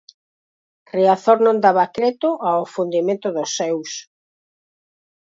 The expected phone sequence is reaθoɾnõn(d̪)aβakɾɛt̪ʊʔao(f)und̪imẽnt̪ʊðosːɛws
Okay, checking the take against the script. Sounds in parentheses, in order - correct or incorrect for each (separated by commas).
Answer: correct, correct